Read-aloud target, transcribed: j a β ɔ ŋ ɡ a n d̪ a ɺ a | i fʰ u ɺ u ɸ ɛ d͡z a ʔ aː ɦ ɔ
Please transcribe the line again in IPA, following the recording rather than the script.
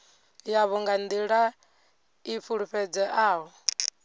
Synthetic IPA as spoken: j a β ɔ ŋ ɡ a n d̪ i ɺ a | i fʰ u ɺ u ɸ ɛ d͡z ɛ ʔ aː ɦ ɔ